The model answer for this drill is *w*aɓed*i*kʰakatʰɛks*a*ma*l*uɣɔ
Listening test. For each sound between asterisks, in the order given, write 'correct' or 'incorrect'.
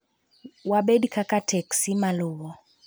correct, correct, incorrect: i, correct

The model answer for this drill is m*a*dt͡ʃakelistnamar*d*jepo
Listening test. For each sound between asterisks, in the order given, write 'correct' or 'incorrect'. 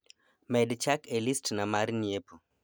incorrect: ɛ, incorrect: n

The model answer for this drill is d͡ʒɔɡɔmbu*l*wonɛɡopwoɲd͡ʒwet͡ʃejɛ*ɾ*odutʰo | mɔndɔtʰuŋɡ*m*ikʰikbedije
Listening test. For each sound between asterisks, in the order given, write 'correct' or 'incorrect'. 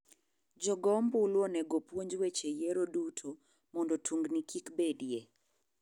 correct, correct, incorrect: n

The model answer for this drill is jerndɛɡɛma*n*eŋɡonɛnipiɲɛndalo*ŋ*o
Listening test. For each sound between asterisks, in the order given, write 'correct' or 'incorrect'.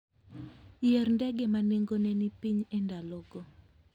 correct, incorrect: ɡ

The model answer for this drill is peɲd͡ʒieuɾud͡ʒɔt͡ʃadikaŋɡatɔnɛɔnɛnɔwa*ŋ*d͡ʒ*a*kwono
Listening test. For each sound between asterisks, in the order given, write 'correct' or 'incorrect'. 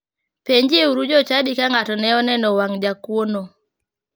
correct, correct

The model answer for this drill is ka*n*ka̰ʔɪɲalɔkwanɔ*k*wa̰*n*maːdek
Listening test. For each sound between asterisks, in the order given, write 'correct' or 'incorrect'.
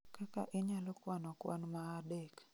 incorrect: none, correct, correct

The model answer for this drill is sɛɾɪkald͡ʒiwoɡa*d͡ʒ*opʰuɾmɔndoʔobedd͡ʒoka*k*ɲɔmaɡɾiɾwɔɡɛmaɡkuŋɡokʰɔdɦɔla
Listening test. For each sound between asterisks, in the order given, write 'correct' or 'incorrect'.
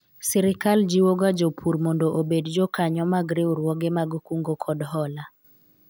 correct, incorrect: none

